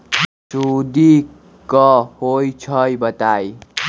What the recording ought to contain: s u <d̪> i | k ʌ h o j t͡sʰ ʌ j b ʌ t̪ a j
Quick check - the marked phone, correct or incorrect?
correct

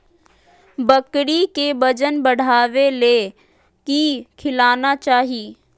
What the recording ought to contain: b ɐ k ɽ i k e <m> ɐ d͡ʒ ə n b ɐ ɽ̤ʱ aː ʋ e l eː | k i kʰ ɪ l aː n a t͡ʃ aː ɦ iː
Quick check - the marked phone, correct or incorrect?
incorrect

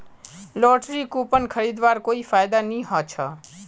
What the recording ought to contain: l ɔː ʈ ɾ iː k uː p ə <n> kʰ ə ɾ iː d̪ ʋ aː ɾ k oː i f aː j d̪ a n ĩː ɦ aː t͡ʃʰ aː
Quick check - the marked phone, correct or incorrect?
correct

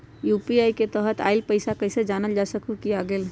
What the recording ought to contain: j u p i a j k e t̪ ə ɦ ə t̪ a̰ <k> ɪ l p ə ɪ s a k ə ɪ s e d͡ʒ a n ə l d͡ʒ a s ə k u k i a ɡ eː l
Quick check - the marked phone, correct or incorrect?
incorrect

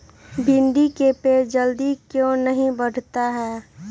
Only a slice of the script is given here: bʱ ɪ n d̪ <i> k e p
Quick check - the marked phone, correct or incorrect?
correct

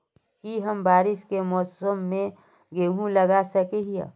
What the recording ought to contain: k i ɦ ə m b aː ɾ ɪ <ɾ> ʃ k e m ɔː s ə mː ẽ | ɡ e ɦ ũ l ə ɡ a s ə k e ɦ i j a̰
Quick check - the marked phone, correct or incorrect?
incorrect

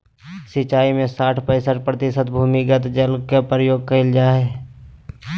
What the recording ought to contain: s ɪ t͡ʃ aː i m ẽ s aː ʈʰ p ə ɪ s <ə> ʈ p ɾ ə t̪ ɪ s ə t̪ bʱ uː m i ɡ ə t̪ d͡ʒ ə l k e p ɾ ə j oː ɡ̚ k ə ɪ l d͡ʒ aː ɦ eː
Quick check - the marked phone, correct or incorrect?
correct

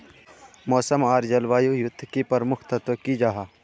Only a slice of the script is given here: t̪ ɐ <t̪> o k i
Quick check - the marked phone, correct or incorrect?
correct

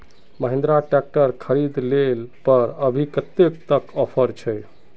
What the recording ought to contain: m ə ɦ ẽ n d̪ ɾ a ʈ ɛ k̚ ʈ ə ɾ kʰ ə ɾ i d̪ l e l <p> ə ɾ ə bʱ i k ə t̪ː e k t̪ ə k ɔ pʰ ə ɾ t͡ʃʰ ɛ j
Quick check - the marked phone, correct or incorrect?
correct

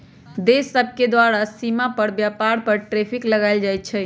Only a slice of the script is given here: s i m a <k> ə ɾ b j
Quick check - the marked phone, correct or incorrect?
incorrect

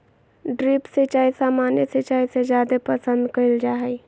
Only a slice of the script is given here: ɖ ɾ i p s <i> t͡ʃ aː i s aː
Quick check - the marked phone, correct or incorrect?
incorrect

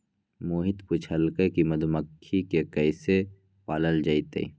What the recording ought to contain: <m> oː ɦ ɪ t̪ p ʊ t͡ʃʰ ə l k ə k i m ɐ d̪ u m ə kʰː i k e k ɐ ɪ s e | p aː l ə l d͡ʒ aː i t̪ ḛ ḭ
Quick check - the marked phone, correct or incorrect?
correct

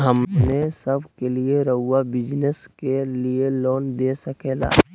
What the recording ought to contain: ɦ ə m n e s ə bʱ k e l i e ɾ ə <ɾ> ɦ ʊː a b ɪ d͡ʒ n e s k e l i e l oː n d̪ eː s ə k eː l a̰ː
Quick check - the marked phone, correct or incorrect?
incorrect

